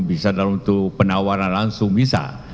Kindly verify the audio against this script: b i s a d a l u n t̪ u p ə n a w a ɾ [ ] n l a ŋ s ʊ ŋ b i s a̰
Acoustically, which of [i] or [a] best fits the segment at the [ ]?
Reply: a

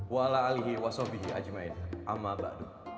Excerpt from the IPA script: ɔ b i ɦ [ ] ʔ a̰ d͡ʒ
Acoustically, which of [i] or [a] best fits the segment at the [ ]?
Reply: i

